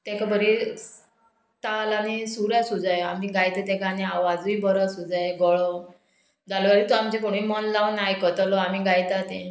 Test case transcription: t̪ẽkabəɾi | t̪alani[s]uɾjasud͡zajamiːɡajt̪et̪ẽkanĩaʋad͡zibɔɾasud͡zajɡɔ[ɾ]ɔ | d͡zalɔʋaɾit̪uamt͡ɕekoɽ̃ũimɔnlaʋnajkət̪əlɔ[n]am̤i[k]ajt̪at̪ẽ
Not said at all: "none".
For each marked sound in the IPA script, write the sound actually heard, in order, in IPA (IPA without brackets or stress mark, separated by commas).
s, ɭ, none, ɡ